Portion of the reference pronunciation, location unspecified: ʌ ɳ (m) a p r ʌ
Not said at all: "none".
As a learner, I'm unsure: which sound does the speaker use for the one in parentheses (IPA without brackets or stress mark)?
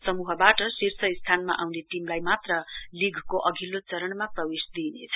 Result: m